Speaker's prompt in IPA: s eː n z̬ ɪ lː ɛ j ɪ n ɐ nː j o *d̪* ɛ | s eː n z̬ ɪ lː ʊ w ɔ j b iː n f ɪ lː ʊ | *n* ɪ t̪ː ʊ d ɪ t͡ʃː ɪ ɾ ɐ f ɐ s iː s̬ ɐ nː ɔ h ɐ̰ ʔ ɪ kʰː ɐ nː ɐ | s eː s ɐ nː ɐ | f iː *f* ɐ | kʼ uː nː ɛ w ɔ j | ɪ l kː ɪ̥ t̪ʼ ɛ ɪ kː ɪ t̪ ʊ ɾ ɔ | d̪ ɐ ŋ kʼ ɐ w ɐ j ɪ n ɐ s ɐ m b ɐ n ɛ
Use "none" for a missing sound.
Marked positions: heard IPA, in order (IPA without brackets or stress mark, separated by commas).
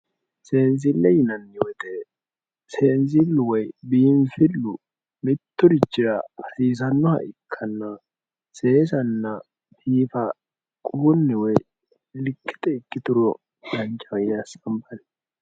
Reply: t̪, m, f